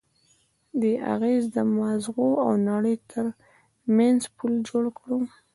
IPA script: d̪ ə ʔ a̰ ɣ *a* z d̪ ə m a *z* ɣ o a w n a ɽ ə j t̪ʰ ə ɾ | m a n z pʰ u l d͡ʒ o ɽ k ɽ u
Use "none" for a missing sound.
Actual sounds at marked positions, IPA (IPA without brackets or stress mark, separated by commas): e, z